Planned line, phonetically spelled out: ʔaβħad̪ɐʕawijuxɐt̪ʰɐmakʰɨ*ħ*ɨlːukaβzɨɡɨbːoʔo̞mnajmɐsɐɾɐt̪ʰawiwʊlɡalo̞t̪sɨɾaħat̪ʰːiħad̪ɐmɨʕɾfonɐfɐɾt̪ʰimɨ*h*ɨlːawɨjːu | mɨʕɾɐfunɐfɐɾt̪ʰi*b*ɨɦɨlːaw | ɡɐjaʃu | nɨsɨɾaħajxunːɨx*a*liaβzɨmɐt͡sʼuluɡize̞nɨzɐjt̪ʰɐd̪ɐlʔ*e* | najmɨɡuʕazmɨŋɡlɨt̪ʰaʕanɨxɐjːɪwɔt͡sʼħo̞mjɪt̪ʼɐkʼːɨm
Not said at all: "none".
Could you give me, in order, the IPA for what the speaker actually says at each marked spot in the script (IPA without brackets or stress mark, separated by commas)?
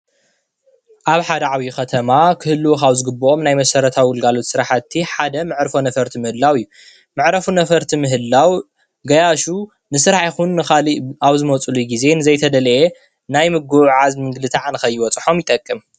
h, h, m, a, e